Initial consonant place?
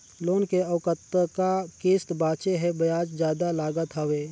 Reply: alveolar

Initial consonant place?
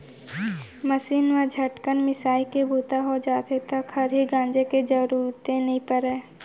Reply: labial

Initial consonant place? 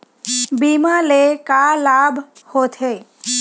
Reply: labial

